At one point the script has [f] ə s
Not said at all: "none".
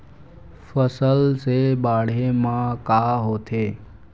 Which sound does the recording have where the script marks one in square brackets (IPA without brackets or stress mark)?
f